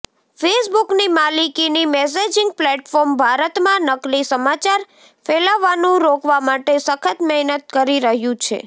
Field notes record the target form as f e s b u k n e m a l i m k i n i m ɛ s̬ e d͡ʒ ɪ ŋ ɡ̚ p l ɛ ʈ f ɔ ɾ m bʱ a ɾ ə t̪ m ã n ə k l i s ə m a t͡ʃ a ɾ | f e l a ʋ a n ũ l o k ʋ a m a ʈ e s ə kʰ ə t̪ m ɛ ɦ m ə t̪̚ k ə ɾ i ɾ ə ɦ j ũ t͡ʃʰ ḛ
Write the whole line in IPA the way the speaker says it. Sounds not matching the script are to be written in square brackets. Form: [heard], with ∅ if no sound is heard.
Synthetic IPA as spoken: f e s b u k n [i] m a l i [∅] k i n i m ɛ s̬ e d͡ʒ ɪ ŋ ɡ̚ p l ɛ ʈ f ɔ ɾ m bʱ a ɾ ə t̪ m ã n ə k l i s ə m a t͡ʃ a ɾ | f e l a ʋ a n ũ [ɾ] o k ʋ a m a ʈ e s ə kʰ ə t̪ m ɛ ɦ [n] ə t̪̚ k ə ɾ i ɾ ə ɦ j ũ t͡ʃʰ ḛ